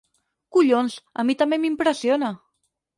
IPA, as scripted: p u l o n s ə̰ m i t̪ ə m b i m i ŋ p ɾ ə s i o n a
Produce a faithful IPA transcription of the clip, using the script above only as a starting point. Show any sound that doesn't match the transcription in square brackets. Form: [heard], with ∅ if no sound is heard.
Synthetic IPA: [k] u [ʎ] o n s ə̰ m i t̪ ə m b [e] m i [m] p ɾ ə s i o n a